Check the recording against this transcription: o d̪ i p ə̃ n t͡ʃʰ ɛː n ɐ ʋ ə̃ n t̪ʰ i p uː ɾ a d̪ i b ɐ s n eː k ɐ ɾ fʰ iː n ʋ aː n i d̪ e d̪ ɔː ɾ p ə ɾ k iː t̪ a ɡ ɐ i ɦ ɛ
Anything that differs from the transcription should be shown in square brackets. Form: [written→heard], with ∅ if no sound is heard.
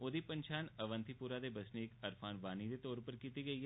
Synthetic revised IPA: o d̪ i p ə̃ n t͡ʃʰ [ɛː→aː] n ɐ ʋ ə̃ n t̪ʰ i p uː ɾ a d̪ [i→e] b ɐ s n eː k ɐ ɾ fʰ [iː→aː] n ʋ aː n i d̪ e [d̪→t̪] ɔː ɾ p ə ɾ k iː t̪ [a→i] ɡ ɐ i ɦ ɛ